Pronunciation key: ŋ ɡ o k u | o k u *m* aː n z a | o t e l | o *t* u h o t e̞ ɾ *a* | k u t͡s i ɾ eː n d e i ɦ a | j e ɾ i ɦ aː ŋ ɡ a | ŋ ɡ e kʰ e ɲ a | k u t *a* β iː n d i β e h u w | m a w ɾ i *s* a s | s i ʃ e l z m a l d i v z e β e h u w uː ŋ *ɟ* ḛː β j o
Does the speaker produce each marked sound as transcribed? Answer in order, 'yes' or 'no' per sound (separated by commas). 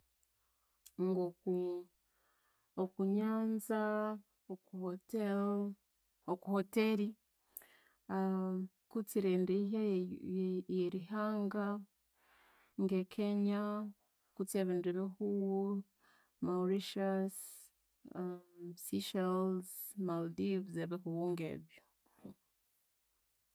no, no, no, no, no, no